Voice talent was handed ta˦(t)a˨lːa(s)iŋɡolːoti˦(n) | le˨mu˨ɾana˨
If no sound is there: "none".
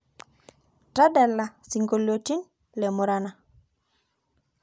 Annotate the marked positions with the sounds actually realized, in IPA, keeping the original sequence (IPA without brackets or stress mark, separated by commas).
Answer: d, s, n